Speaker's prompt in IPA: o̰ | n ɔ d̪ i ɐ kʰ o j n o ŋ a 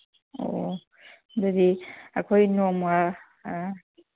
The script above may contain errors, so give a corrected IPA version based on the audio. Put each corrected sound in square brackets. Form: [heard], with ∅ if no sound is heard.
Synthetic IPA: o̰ | [d] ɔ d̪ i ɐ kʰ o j n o [m] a